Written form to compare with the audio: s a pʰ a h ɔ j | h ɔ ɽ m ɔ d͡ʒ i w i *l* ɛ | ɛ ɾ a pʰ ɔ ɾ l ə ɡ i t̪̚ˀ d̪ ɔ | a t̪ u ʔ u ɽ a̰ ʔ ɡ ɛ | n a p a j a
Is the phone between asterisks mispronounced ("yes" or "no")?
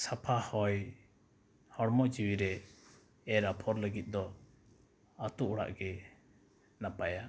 yes